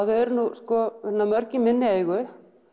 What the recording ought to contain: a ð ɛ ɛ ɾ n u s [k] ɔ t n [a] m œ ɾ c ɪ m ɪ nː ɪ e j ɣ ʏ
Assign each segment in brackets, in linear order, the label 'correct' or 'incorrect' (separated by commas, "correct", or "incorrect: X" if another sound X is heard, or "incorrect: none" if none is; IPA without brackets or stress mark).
correct, correct